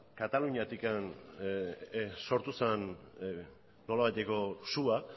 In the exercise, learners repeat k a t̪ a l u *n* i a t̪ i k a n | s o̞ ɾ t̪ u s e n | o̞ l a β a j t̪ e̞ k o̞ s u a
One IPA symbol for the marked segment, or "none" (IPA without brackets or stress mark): ɲ